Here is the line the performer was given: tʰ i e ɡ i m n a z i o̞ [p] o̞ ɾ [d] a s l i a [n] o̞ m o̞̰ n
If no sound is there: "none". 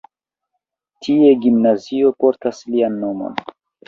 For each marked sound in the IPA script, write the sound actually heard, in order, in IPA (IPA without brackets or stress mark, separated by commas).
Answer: p, t, nː